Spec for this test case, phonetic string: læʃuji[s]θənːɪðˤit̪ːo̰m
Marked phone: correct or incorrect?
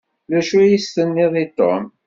correct